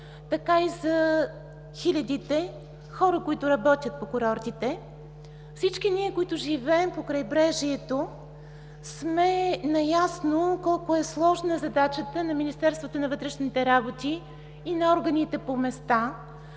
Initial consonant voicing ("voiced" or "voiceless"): voiceless